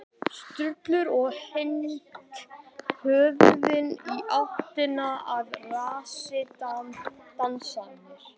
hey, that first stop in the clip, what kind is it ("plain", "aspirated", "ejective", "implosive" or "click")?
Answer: plain